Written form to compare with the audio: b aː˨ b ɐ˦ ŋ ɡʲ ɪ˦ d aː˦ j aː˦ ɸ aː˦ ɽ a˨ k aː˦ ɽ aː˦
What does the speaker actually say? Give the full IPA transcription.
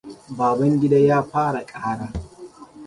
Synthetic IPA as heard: b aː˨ b ɐ˦ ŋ ɡʲ ɪ˦ d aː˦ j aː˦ ɸ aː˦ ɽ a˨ kʼ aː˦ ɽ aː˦

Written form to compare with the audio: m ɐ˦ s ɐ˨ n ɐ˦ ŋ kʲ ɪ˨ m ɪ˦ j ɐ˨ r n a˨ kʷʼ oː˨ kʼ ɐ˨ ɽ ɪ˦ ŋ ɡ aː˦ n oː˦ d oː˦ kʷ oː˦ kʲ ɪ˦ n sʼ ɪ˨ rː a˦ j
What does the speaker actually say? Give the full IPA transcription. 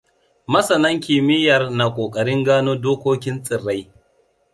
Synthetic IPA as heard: m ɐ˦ s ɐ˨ n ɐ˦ ŋ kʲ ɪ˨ m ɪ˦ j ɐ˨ r n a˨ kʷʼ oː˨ kʼ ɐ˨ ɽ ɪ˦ ŋ ɡ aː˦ n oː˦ d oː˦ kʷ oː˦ kʲ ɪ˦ n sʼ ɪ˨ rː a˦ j

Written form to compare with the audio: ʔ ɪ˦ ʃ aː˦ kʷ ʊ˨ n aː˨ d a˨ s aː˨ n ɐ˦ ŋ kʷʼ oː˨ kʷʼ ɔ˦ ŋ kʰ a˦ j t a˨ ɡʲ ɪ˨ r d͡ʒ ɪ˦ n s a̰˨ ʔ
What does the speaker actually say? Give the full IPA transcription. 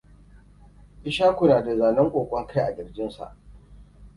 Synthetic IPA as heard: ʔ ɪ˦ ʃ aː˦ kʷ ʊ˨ n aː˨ d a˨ z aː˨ n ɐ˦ ŋ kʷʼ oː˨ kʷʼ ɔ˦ ŋ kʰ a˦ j ʔ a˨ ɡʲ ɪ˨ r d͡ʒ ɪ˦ n s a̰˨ ʔ

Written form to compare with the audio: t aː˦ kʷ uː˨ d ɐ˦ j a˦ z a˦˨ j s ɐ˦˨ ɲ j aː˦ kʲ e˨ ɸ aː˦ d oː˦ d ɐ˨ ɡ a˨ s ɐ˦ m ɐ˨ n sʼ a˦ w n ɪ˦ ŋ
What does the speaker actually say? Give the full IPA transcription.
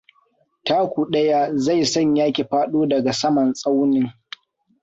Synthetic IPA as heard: t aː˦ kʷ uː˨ ɗ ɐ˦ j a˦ z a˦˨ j s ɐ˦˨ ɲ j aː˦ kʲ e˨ ɸ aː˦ ɗ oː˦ d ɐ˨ ɡ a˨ s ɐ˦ m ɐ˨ n sʼ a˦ w n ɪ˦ ŋ

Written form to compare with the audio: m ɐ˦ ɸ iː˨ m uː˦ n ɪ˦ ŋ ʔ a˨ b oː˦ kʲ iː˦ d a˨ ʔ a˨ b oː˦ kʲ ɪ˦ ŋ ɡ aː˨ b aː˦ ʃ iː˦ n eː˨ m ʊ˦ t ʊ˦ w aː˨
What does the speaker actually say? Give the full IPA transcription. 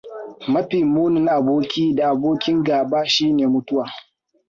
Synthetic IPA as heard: m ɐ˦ ɸ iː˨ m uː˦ n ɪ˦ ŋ ʔ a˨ b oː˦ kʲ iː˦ d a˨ ʔ a˨ b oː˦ kʲ ɪ˦ ŋ ɡ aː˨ b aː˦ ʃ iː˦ n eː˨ m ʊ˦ t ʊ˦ w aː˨

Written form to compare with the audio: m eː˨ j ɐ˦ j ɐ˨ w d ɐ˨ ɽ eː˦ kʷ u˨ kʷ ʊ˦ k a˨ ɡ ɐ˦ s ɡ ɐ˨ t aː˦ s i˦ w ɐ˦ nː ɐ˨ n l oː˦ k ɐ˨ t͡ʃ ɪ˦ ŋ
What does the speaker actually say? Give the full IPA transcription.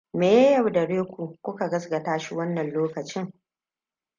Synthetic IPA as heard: m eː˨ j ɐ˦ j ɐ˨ w d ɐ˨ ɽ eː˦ kʷ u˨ kʷ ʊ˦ k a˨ ɡ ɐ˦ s ɡ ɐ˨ t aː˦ ʃ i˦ w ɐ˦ nː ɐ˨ n l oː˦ k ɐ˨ t͡ʃ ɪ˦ ŋ

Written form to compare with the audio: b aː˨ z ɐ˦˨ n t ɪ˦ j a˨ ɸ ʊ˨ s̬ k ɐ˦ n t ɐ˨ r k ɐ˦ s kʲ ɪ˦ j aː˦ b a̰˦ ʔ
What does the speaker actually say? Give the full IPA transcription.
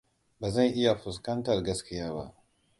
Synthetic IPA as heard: b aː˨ z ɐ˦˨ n ʔ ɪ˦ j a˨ ɸ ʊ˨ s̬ k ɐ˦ n t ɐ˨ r ɡ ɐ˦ s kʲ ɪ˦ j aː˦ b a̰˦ ʔ

